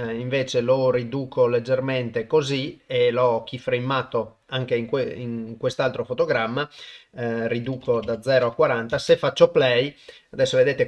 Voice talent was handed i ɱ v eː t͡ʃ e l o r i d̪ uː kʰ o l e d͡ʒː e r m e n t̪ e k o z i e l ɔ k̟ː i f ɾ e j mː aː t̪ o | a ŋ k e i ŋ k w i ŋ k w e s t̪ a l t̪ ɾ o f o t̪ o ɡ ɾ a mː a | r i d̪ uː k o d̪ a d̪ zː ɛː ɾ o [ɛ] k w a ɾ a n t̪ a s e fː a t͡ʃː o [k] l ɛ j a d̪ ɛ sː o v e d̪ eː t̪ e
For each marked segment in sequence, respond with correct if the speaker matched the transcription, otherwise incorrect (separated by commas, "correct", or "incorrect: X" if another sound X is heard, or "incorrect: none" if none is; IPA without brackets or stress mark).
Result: incorrect: a, incorrect: p